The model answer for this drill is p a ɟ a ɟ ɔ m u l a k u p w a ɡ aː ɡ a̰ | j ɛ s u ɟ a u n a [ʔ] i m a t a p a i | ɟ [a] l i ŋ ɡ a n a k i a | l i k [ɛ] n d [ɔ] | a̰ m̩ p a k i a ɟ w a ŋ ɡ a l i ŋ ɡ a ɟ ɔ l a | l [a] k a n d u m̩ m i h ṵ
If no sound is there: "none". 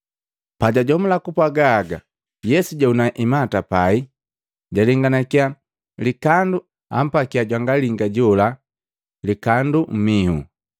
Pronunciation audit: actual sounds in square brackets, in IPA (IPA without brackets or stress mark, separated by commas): ʔ, a, a, u, i